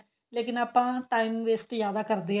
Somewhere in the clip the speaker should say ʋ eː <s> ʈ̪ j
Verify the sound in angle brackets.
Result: correct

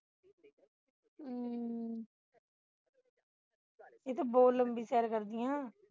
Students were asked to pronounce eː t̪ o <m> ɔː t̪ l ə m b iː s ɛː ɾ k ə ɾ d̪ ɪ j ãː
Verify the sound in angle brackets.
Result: incorrect: b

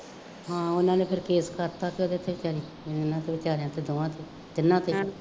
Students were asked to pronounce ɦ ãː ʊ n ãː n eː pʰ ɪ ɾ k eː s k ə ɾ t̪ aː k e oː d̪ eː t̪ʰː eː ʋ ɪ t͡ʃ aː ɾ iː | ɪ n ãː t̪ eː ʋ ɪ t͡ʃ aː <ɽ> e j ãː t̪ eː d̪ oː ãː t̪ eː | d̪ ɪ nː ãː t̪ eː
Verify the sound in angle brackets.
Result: incorrect: ɾ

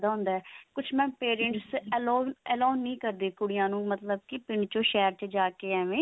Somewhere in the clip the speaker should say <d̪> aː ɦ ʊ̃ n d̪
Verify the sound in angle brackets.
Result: correct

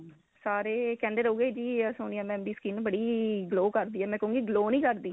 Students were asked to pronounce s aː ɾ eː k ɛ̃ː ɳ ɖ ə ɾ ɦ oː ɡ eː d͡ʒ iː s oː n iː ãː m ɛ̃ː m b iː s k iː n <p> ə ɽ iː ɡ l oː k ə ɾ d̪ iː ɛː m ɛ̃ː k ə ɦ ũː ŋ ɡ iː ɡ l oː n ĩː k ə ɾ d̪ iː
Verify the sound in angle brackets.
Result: incorrect: b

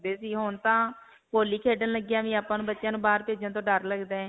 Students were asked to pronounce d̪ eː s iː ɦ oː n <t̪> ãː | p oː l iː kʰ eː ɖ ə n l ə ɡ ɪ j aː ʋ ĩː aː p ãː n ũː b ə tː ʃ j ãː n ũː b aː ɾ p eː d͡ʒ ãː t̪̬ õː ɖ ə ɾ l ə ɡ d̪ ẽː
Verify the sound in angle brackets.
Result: correct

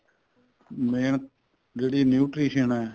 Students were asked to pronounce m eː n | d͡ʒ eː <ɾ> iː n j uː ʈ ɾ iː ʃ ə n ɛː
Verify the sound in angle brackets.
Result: incorrect: ɽ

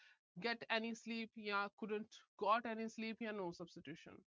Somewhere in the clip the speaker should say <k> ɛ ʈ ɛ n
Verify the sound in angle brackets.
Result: incorrect: ɡ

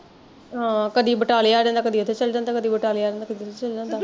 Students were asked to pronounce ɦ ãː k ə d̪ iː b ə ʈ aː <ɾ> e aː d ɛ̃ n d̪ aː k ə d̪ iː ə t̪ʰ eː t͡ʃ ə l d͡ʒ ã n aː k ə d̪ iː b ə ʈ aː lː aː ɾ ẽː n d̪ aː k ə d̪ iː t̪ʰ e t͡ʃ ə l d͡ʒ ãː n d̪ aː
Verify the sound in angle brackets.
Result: incorrect: l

